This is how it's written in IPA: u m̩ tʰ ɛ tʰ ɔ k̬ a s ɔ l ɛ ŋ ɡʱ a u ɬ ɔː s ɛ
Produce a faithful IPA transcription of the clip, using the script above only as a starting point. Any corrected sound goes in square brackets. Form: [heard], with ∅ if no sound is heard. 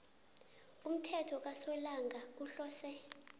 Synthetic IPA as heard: u m̩ tʰ ɛ tʰ ɔ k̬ a s ɔ l [a] ŋ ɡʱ a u ɬ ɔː s ɛ